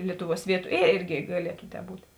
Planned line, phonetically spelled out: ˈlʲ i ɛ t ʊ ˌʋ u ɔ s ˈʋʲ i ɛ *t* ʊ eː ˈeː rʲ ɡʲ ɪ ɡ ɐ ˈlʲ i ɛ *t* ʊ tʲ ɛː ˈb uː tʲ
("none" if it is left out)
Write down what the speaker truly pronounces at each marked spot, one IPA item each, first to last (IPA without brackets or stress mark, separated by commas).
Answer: t, t